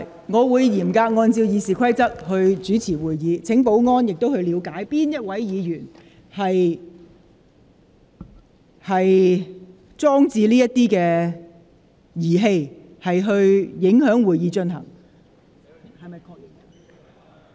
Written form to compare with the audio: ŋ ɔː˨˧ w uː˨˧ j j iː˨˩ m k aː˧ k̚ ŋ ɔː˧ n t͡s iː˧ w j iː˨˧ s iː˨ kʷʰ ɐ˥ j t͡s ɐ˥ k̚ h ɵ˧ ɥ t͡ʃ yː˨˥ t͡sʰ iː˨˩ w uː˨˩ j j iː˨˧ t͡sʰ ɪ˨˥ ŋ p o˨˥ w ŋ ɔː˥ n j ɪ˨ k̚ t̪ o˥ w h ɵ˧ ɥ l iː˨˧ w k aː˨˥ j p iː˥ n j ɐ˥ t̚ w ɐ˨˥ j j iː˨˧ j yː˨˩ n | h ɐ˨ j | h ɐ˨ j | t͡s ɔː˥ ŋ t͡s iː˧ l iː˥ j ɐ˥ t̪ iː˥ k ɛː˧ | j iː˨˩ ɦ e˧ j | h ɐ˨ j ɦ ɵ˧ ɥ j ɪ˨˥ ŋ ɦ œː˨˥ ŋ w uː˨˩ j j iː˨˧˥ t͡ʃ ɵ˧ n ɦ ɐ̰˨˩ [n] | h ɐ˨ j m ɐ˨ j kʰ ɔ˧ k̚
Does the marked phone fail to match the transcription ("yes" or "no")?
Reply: yes